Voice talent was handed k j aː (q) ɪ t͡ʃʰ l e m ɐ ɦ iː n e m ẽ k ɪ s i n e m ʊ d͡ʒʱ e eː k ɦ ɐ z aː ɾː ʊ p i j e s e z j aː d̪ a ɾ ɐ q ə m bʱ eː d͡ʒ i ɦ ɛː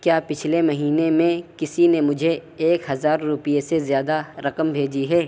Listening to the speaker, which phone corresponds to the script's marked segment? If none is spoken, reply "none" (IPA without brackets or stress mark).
p